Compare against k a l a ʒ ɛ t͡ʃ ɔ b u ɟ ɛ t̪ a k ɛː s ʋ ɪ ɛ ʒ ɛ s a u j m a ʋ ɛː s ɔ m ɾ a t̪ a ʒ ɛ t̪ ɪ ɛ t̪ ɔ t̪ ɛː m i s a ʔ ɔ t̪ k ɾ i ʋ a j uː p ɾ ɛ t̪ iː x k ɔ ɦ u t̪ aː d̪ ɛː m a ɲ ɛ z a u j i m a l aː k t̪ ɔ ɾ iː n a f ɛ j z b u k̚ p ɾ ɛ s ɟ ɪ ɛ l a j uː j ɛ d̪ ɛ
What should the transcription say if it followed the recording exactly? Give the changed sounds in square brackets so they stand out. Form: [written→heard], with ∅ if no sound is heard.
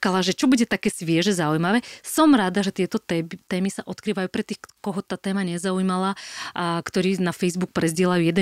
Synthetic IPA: k a l a ʒ ɛ t͡ʃ ɔ b u ɟ ɛ t̪ a k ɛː s ʋ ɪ ɛ ʒ ɛ [s→z] a u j m a ʋ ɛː s ɔ m ɾ a [t̪→d̪] a ʒ ɛ t̪ ɪ ɛ t̪ ɔ t̪ ɛː m i s a ʔ ɔ t̪ k ɾ [i→iː] ʋ a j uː p ɾ ɛ t̪ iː x k ɔ ɦ [u→ɔ] t̪ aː [d̪→t̪] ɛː m a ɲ ɛ z a u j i m a l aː k t̪ ɔ ɾ iː n a f ɛ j z b u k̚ p ɾ ɛ [s→z] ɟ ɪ ɛ l a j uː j ɛ d̪ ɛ